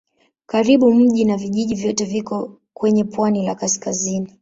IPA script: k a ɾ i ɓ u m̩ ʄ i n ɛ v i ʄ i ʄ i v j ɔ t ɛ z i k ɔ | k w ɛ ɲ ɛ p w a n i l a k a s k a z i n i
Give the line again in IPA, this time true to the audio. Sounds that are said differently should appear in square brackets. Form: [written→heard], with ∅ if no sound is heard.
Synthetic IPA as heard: k a ɾ i ɓ u m̩ ʄ i n [ɛ→a] v i ʄ i ʄ i v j ɔ t ɛ [z→v] i k ɔ | k w ɛ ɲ ɛ p w a n i l a k a s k a z i n i